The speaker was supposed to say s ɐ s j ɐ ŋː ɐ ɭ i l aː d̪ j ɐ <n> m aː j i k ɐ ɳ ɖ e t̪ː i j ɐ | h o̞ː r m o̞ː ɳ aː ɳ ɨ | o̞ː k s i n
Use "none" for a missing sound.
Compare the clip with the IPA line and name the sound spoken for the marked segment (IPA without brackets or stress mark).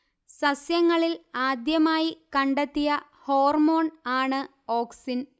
none